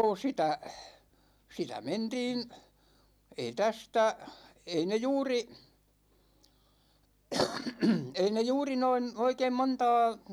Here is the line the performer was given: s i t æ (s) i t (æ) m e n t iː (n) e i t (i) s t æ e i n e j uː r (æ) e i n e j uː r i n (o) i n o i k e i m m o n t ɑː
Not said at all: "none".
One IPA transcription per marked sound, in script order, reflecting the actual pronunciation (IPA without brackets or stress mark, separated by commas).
s, æ, n, æ, i, o